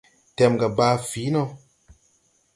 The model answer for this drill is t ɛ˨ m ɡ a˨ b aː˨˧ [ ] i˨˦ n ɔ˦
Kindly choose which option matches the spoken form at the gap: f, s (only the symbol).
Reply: f